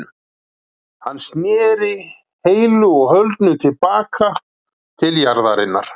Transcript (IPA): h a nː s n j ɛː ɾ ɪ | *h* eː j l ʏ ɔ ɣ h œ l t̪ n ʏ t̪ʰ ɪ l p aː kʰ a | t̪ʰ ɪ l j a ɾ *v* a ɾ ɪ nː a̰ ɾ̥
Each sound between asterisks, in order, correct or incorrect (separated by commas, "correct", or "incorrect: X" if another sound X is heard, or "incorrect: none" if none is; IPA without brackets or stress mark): correct, incorrect: ð